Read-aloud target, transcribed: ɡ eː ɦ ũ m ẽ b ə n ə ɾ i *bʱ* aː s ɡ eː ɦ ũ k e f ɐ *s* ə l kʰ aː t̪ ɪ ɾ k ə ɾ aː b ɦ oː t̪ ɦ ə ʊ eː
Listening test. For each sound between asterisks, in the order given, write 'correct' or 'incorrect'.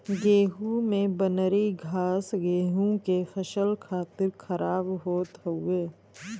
incorrect, incorrect

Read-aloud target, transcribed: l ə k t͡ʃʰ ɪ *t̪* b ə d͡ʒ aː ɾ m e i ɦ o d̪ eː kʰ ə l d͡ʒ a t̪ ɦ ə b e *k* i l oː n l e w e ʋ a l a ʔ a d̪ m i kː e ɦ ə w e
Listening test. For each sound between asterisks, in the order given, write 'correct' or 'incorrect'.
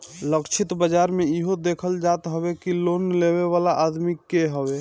correct, correct

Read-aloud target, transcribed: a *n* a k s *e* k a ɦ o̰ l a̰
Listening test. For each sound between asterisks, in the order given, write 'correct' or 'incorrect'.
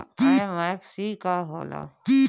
incorrect, incorrect

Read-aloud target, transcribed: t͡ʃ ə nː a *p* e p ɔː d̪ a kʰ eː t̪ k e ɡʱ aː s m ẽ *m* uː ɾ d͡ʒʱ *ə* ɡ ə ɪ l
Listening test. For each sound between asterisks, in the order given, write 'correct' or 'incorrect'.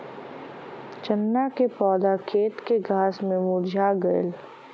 incorrect, correct, incorrect

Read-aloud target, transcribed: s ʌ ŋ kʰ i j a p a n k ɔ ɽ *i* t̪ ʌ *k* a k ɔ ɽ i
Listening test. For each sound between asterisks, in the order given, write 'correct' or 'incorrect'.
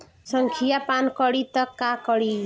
correct, correct

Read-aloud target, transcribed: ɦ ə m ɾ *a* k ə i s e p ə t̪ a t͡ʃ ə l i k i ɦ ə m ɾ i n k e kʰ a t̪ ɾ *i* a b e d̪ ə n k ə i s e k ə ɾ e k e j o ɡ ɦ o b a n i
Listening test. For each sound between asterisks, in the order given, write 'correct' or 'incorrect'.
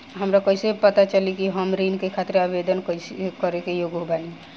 correct, incorrect

